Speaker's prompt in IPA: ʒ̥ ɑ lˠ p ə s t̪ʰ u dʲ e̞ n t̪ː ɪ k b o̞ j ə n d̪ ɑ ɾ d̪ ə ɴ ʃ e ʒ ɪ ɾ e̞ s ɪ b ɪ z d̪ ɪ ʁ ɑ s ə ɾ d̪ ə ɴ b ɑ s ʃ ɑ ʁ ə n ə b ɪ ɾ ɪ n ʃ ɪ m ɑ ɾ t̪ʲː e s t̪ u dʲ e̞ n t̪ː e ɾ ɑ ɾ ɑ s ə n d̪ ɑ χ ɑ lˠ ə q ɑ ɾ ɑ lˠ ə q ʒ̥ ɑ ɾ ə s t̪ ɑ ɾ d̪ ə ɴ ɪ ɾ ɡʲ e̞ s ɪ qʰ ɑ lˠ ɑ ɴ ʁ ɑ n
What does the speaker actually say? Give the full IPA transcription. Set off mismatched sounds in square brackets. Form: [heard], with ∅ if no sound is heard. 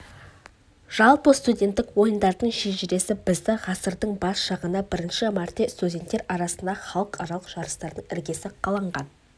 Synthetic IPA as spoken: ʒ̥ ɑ lˠ p ə s [t̪] u dʲ e̞ n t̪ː ɪ k [w] o̞ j ə n d̪ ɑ ɾ d̪ ə ɴ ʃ e ʒ ɪ ɾ e̞ s ɪ b ɪ z d̪ ɪ ʁ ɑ s ə ɾ d̪ ə ɴ b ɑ s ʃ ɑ ʁ ə n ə b ɪ ɾ ɪ n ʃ ɪ m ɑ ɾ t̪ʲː e s t̪ u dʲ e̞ n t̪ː e ɾ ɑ ɾ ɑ s ə n d̪ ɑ χ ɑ lˠ ə q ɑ ɾ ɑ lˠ ə q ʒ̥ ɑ ɾ ə s t̪ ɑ ɾ d̪ ə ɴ ɪ ɾ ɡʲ e̞ s ɪ qʰ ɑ lˠ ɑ ɴ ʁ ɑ n

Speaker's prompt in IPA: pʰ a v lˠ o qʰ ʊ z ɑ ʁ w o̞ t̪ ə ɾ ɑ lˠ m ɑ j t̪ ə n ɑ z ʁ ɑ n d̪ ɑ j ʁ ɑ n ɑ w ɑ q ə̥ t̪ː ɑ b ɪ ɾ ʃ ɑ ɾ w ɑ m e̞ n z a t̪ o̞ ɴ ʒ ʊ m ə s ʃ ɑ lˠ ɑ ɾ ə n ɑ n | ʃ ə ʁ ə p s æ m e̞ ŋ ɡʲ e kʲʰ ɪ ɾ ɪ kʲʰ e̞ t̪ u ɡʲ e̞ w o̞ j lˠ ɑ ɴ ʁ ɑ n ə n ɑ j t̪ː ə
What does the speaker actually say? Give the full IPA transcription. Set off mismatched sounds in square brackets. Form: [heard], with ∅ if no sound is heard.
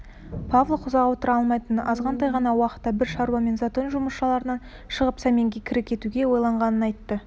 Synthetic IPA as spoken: pʰ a v lˠ o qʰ ʊ z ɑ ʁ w o̞ t̪ ə ɾ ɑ lˠ m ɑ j t̪ ə n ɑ z ʁ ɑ n d̪ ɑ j ʁ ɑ n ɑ w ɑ q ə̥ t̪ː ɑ b ɪ ɾ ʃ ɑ ɾ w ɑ m e̞ n z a t̪ o̞ [n] ʒ ʊ m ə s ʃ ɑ lˠ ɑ ɾ ə n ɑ n | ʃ ə ʁ ə p s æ m e̞ ŋ ɡʲ e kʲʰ ɪ ɾ ɪ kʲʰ e̞ t̪ u ɡʲ e̞ w o̞ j lˠ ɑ ɴ ʁ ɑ n ə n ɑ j t̪ː ə

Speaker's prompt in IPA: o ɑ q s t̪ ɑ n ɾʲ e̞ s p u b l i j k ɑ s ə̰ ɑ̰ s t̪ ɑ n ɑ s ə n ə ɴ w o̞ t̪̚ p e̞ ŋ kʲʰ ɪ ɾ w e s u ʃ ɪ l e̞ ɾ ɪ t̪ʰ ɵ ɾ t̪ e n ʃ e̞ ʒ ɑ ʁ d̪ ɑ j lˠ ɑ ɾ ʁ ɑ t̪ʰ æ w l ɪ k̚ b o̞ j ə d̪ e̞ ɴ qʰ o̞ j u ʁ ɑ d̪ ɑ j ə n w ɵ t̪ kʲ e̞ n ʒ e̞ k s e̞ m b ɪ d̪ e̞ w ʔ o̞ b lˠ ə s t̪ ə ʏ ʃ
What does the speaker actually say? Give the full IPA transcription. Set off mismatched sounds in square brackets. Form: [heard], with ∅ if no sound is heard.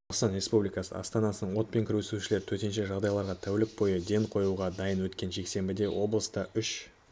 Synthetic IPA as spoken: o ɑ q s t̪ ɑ n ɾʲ e̞ s p u b l i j k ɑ s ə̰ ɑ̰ s t̪ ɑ n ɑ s ə n ə ɴ w o̞ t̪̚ p e̞ ŋ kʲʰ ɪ ɾ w e s u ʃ ɪ l e̞ ɾ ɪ t̪ʰ ɵ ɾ t̪ e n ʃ e̞ ʒ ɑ ʁ d̪ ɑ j lˠ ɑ ɾ ʁ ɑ t̪ʰ æ w l ɪ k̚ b o̞ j ə d̪ e̞ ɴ qʰ o̞ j u ʁ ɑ d̪ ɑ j ə n w ɵ t̪ kʲ e̞ n ʒ e̞ k s e̞ m b ɪ d̪ e̞ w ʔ o̞ b lˠ ə s t̪ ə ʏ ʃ

